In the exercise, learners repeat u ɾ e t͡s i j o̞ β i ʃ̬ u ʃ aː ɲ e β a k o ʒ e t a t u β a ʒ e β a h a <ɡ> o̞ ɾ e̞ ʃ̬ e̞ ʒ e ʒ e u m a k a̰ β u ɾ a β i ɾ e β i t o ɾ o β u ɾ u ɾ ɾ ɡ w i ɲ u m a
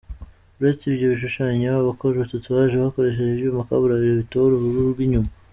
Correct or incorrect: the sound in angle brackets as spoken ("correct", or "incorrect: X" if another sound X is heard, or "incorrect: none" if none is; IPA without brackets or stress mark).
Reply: incorrect: k